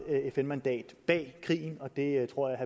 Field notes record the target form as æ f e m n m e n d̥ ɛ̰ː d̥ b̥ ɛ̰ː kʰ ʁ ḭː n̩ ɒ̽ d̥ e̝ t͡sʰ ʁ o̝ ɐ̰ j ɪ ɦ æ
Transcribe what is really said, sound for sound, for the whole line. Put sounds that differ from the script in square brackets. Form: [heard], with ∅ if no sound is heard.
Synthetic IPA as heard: [e] f e [∅] n m [æ] n d̥ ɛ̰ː d̥ b̥ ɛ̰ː kʰ ʁ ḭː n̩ ɒ̽ d̥ e̝ t͡sʰ ʁ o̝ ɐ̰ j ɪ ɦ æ